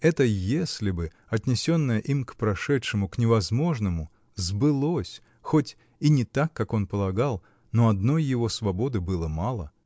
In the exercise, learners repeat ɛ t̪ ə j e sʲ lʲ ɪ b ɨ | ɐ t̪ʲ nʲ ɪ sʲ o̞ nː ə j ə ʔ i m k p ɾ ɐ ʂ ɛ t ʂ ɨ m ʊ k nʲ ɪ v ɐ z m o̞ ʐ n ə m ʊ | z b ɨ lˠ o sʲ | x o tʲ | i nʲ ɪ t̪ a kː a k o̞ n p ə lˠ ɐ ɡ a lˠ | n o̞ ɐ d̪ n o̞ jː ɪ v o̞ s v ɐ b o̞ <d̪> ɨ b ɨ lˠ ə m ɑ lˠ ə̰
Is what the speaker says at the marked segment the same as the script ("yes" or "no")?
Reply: yes